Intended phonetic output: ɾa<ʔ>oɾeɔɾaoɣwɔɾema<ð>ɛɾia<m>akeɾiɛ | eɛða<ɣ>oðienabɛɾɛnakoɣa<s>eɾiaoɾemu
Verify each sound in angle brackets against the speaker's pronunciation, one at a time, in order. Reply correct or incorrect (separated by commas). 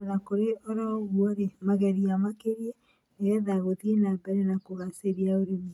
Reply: incorrect, incorrect, correct, correct, correct